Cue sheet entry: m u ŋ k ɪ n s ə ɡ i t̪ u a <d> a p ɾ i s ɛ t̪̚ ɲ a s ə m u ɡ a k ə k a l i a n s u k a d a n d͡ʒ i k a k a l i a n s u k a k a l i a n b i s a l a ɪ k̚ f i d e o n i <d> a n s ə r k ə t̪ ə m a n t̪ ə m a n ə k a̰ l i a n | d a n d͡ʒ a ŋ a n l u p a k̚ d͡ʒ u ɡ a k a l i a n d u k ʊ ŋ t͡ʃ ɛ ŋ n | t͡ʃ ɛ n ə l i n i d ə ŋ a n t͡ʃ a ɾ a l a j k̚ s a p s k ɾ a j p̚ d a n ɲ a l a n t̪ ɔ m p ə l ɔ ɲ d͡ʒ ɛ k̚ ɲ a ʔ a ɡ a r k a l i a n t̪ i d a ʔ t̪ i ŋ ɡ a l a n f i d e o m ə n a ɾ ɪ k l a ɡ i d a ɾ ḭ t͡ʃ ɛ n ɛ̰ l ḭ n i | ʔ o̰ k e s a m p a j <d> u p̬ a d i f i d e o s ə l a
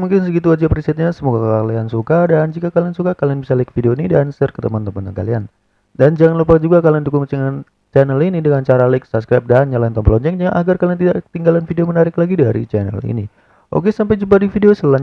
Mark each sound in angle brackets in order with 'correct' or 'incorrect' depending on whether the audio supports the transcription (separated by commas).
incorrect, correct, incorrect